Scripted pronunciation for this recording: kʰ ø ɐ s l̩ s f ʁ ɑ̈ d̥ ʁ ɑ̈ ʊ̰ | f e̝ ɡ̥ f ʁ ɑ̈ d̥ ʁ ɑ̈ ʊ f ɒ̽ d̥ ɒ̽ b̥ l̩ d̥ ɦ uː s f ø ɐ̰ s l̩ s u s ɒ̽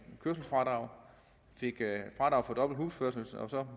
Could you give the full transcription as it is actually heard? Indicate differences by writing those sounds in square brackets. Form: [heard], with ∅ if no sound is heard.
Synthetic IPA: kʰ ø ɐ s l̩ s f ʁ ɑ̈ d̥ ʁ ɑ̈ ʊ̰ | f e̝ ɡ̥ f ʁ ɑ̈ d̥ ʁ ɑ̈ ʊ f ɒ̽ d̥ ɒ̽ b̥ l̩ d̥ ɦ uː s f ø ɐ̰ s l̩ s [ɒ] s ɒ̽